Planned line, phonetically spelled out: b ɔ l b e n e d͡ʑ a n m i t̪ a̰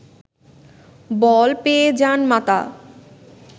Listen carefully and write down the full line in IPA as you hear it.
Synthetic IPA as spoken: b ɔ l p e e d͡ʑ a n m a t̪ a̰